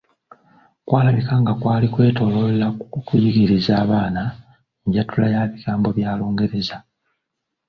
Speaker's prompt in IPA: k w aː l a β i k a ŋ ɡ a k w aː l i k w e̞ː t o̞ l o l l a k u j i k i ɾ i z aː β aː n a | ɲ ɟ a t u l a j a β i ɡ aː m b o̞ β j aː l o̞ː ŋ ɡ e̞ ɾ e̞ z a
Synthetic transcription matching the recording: k w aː l a β i k a ŋ ɡ a k w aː l i k w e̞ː t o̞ l o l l a k u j i ɡ i ɾ i z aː β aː n a | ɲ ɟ a t u l a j a β i ɡ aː m b o̞ β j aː l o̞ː ŋ ɡ e̞ ɾ e̞ z a